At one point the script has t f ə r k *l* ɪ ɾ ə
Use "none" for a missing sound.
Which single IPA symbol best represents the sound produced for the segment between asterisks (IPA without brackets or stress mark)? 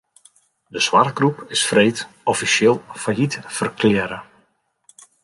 l